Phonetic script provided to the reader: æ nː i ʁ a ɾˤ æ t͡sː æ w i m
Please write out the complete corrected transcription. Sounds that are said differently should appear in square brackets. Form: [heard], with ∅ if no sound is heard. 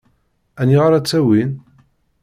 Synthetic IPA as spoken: æ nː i ʁ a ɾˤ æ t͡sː æ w i [n]

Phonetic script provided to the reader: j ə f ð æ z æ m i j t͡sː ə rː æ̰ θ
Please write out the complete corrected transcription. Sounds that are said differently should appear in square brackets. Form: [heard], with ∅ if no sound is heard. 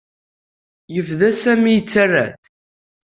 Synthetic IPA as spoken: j ə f ð æ [s] æ m i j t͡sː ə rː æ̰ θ

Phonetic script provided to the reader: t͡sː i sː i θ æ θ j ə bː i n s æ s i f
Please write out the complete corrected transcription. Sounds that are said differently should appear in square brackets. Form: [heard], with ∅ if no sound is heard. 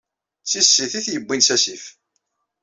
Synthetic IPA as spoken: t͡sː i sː i θ [i] θ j ə bː i n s æ s i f

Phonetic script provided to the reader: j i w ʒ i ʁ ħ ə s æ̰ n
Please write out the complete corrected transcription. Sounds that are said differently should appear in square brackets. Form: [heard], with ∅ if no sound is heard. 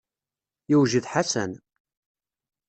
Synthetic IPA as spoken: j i w ʒ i [ð] ħ [a] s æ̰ n

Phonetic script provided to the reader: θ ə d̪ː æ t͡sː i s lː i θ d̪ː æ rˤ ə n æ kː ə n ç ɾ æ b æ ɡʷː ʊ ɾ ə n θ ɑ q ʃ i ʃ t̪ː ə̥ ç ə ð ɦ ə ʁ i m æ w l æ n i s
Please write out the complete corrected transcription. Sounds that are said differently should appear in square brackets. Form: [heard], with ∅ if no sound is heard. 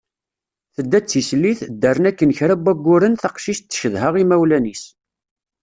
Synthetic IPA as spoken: θ ə d̪ː æ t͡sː i s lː i θ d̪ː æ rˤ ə n æ kː ə n ç ɾ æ b æ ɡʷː ʊ ɾ ə n θ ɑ q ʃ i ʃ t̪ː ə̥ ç ə ð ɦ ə ʁ i m æ w l æ n i s

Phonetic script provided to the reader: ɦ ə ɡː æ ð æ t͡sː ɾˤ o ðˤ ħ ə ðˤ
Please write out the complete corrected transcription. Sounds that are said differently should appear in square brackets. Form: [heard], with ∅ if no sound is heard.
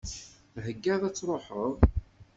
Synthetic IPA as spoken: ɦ ə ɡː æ ð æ t͡sː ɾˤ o [∅] ħ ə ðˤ

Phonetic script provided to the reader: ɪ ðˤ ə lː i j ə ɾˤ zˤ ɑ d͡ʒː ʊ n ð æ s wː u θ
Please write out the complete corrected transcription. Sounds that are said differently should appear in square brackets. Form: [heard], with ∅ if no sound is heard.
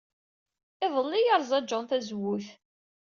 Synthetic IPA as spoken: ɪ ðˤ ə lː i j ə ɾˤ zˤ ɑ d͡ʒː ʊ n [θ] æ [z] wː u θ

